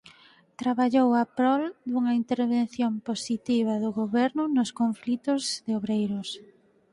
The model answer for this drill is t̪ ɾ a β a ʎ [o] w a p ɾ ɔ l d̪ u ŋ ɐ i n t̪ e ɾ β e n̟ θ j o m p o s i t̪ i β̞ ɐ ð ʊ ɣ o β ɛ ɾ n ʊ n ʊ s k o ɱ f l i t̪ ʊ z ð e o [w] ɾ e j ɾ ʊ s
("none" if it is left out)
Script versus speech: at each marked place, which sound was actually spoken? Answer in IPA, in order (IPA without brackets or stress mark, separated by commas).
o, β